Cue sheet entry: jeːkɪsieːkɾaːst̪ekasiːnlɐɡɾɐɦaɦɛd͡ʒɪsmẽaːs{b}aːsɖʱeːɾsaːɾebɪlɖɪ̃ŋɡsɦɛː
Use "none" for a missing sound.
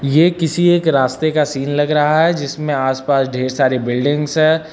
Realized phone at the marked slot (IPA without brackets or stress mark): p